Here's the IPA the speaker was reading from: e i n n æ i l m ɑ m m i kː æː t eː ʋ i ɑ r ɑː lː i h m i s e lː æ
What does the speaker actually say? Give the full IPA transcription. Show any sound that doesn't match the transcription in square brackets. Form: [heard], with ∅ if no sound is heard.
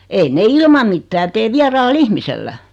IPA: e i n n [e] i l m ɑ m m i [tː] æː t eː ʋ i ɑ r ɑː lː i h m i s e lː æ